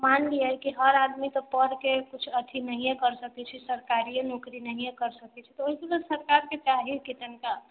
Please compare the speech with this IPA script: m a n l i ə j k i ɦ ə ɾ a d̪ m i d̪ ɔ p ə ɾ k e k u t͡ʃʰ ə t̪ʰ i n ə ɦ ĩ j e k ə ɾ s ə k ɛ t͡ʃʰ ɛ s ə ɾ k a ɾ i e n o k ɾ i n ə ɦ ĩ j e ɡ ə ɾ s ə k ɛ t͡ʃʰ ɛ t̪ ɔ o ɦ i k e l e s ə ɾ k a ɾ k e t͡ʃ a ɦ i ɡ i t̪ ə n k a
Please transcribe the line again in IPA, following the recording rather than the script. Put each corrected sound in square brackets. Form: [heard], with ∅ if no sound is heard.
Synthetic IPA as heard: m a n l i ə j k i ɦ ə ɾ a d̪ m i [t̪] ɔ p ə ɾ k e k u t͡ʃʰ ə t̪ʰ i n ə ɦ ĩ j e k ə ɾ s ə k ɛ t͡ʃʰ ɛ s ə ɾ k a ɾ i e n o k ɾ i n ə ɦ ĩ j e [k] ə ɾ s ə k ɛ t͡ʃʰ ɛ t̪ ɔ o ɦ i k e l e s ə ɾ k a ɾ k e t͡ʃ a ɦ i [k] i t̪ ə n k a